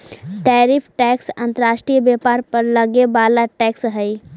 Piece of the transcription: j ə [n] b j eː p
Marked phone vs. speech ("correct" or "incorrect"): incorrect